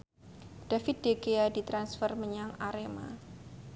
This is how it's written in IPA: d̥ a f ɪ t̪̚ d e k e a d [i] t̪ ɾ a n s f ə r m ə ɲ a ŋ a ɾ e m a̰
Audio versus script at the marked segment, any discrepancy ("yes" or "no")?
no